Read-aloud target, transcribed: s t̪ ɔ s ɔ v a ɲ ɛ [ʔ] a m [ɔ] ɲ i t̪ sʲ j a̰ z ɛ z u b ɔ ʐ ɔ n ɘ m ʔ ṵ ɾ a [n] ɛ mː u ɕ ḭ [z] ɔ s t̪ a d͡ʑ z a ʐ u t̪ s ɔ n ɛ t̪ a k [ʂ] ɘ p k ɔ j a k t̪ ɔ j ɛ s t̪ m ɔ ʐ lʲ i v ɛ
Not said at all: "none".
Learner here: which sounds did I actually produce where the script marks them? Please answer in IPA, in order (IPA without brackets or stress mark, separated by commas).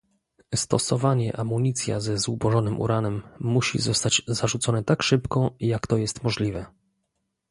ʔ, u, n, z, ʂ